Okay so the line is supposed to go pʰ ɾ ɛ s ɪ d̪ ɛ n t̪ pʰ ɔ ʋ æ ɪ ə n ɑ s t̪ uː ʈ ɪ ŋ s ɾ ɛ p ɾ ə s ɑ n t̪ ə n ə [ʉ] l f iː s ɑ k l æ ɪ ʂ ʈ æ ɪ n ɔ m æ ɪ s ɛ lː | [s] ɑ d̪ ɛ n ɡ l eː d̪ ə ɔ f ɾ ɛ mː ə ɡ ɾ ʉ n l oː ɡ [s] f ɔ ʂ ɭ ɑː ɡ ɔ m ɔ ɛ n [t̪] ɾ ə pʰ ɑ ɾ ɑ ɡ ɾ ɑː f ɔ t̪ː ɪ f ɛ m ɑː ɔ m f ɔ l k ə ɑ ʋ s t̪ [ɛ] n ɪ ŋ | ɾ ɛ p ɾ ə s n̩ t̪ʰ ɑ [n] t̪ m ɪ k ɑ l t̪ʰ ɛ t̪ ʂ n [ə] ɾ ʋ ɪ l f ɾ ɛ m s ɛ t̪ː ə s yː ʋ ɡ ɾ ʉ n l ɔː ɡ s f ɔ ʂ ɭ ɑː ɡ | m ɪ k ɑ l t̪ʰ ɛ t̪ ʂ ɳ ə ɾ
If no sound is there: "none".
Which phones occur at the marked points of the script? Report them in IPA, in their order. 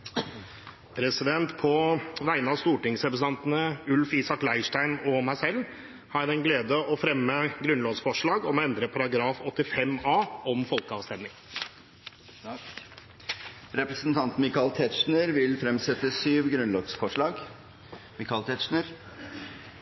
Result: ʉ, h, s, d̪, ɛ, n, ə

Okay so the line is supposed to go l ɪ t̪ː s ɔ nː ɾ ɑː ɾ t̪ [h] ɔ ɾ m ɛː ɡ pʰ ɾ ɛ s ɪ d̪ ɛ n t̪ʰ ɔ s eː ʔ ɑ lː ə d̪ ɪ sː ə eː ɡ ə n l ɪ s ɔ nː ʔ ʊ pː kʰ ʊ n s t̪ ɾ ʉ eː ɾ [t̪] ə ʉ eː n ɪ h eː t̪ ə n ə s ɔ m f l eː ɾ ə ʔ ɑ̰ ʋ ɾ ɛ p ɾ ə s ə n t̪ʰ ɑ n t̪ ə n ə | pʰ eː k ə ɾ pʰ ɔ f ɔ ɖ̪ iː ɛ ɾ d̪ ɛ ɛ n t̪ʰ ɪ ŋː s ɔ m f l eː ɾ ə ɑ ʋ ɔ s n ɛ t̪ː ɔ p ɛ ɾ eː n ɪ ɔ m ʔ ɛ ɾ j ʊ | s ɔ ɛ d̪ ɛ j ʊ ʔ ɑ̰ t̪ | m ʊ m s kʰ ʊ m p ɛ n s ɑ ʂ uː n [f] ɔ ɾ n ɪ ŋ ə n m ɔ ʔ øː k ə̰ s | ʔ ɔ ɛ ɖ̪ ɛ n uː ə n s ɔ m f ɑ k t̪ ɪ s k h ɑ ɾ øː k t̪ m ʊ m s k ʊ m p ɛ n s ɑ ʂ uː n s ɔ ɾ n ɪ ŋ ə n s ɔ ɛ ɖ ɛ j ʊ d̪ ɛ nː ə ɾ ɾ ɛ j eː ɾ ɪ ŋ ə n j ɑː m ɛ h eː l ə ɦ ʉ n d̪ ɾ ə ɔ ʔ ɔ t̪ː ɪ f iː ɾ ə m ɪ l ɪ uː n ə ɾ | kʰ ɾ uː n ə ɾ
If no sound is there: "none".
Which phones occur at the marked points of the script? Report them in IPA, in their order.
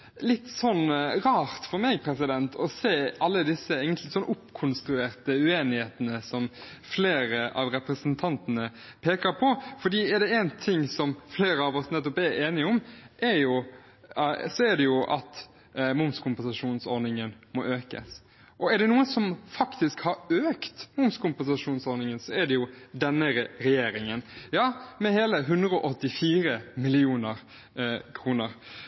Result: f, t̪, s

